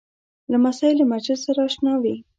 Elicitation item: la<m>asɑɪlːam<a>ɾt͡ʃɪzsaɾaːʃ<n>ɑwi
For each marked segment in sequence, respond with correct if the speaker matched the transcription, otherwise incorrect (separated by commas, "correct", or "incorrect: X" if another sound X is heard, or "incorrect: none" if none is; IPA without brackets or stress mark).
correct, correct, correct